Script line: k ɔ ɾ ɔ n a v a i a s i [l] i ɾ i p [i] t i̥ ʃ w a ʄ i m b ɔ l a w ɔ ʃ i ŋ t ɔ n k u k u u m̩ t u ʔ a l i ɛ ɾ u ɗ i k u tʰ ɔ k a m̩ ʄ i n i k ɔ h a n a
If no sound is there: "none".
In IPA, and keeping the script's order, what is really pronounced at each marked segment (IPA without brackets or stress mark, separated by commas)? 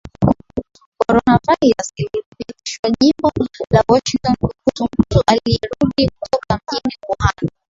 l, i